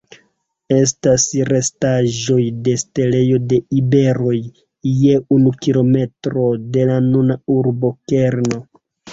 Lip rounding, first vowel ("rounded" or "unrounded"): unrounded